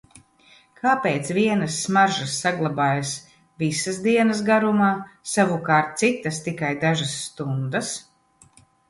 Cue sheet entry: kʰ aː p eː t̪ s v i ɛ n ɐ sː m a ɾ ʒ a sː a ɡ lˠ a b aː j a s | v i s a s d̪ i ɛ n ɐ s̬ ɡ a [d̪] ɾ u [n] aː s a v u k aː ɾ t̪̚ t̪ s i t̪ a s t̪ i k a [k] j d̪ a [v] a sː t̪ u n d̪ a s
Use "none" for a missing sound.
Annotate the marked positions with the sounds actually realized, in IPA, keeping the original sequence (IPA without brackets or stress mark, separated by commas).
none, m, none, ʒ